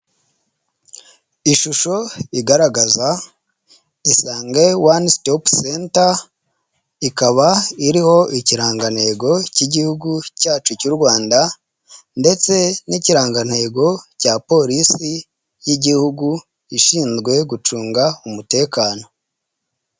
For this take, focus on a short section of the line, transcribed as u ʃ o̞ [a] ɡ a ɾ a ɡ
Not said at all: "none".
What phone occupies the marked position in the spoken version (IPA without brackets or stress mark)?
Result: i